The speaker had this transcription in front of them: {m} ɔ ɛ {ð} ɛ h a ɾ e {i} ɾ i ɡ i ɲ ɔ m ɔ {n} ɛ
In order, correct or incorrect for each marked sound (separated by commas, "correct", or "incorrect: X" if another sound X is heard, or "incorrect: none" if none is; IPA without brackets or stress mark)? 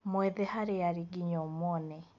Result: correct, correct, incorrect: a, correct